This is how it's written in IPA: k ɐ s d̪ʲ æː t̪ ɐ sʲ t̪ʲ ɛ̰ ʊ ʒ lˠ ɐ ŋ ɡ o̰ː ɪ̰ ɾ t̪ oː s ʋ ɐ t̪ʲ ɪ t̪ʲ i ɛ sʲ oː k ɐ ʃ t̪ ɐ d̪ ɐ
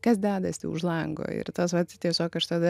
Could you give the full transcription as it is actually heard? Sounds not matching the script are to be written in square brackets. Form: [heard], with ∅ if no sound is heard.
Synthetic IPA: k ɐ s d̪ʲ æː [d̪] ɐ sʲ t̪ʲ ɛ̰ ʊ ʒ lˠ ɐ ŋ ɡ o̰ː ɪ̰ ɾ t̪ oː s ʋ ɐ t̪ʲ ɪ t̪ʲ i ɛ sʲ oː k ɐ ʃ t̪ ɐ d̪ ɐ